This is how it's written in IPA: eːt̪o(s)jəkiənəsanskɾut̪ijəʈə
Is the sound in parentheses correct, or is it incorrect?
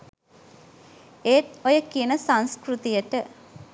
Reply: incorrect